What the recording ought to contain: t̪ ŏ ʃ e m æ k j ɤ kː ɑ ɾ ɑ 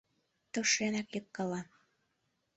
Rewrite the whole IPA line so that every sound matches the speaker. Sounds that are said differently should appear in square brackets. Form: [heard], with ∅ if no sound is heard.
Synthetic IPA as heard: t̪ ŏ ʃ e [n] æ k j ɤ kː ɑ [l] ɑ